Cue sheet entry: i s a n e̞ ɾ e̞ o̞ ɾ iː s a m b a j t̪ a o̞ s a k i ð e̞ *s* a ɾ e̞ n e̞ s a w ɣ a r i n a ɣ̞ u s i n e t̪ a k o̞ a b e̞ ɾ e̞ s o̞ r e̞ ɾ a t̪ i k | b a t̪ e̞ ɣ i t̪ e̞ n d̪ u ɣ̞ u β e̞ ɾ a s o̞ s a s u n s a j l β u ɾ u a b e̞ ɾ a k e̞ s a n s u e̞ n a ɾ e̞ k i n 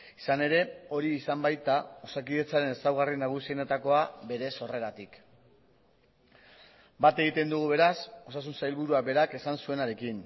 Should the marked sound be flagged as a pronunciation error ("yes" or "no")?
yes